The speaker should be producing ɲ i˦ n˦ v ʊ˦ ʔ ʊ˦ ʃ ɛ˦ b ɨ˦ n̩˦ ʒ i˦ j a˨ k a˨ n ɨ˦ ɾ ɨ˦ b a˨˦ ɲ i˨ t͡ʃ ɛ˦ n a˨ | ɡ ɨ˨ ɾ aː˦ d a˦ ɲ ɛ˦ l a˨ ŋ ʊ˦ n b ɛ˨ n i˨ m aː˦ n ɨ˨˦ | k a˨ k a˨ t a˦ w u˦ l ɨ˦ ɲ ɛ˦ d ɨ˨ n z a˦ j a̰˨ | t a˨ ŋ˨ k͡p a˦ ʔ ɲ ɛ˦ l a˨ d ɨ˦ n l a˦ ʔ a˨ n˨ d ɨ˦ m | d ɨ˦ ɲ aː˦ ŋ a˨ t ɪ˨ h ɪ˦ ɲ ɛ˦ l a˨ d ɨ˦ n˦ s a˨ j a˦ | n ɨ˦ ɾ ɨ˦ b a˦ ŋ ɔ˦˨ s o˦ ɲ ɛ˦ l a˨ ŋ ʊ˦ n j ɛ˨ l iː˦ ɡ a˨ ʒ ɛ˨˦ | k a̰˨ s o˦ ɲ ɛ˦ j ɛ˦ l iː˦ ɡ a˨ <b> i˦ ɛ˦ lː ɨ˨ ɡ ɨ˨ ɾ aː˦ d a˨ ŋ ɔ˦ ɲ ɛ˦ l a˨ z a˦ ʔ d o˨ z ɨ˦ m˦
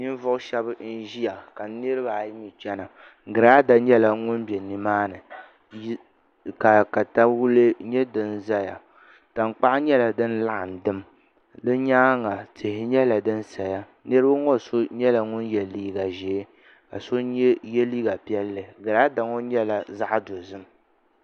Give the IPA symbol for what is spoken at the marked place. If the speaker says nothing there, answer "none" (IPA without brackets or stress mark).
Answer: p